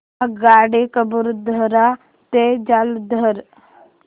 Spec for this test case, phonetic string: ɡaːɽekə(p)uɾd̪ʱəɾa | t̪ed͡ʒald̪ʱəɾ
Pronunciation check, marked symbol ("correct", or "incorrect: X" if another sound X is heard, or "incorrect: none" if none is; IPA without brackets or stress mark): incorrect: b